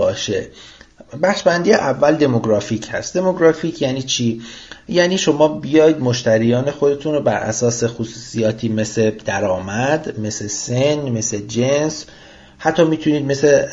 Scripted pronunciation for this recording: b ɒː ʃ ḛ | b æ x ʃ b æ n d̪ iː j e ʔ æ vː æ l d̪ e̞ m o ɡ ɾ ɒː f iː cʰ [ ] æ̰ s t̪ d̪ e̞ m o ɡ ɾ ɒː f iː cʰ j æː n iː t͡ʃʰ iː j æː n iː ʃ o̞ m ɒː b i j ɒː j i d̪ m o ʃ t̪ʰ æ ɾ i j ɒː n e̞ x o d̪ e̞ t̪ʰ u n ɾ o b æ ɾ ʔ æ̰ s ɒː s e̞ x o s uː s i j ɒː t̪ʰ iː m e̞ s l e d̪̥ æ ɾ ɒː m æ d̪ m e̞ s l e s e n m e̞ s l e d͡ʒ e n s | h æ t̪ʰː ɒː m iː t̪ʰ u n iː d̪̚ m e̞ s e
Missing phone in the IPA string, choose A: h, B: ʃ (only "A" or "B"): A